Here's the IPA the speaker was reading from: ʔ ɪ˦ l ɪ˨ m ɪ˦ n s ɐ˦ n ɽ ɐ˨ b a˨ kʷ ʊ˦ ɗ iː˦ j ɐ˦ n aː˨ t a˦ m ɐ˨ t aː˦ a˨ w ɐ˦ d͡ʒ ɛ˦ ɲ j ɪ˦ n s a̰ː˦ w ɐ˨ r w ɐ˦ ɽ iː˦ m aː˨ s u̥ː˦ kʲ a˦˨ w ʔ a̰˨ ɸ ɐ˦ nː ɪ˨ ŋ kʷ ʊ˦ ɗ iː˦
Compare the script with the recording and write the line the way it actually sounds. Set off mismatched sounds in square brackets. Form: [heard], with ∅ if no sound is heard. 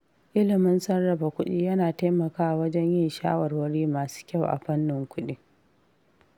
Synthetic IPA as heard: ʔ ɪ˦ l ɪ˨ m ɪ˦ n s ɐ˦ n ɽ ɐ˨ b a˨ kʷ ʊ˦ ɗ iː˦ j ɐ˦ n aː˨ t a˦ m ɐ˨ [k] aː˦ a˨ w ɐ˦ d͡ʒ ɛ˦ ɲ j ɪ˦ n [ʃ] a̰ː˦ w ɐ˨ r w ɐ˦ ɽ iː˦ m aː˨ s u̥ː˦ kʲ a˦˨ w ʔ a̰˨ ɸ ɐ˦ nː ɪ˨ ŋ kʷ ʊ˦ ɗ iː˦